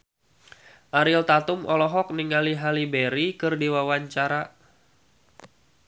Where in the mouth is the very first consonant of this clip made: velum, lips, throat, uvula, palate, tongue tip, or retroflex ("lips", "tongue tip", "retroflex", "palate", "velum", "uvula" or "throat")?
throat